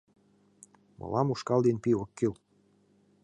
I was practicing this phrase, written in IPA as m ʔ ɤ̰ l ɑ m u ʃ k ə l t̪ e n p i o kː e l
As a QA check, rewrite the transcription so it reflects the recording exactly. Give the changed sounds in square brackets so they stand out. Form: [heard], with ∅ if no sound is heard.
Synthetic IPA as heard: m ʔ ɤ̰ l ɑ m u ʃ k [ɑ] l [d̪] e n p i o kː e l